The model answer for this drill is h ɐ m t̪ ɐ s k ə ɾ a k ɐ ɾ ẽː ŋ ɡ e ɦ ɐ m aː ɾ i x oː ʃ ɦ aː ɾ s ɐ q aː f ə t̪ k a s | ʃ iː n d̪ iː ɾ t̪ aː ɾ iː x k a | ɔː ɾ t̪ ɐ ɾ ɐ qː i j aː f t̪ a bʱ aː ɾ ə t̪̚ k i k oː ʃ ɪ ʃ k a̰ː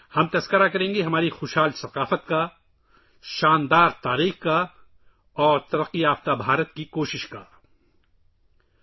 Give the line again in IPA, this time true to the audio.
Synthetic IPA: h ɐ m t̪ ɐ s k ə ɾ a k ɐ ɾ ẽː ŋ ɡ e ɦ ɐ m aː ɾ i x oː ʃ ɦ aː l s ɐ q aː f ə t̪ k a | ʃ aː n d̪ aː ɾ t̪ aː ɾ iː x k a | ɔː ɾ t̪ ɐ ɾ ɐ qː i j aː f t̪ a bʱ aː ɾ ə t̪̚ k i k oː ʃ ɪ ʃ k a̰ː